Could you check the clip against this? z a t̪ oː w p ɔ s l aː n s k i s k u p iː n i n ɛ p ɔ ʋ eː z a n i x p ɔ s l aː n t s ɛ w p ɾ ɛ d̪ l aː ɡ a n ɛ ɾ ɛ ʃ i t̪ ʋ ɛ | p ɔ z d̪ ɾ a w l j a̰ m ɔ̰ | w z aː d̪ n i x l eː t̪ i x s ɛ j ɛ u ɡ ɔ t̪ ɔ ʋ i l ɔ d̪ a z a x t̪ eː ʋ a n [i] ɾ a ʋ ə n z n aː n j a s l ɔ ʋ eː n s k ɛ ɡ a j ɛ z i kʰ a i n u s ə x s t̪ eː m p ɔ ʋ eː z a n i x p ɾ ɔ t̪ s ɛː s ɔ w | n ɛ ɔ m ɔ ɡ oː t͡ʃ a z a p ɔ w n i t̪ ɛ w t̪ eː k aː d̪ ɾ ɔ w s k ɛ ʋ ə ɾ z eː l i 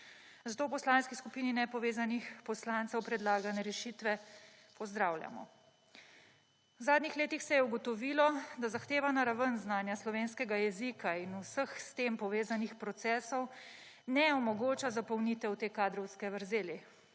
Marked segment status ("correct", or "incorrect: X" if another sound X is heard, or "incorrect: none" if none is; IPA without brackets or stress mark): incorrect: a